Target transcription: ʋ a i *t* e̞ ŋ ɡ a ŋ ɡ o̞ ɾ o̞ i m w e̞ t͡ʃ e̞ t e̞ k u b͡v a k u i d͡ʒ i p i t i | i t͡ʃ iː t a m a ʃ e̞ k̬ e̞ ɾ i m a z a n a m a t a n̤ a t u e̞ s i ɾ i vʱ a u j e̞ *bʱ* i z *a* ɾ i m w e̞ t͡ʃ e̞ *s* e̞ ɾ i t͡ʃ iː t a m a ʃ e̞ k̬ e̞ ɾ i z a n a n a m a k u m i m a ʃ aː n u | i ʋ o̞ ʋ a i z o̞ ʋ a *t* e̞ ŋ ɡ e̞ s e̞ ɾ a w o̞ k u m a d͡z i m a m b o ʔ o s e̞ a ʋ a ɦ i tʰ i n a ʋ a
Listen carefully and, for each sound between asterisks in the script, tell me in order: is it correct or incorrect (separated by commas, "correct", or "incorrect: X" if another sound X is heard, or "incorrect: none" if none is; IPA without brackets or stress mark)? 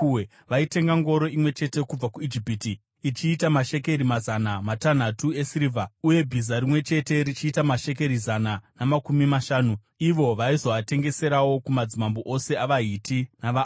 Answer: correct, correct, correct, incorrect: t, correct